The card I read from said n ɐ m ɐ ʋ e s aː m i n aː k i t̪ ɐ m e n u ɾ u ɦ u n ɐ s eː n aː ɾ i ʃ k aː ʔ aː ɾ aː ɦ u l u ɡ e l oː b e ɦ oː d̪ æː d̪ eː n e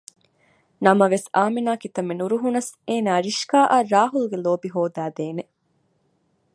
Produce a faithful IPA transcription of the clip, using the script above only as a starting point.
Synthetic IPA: n ɐ m ɐ ʋ e s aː m i n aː k i t̪ ɐ m e n u ɾ u ɦ u n ɐ s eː n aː ɾ i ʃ k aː ʔ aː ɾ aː ɦ u l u ɡ e l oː b i ɦ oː d̪ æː d̪ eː n e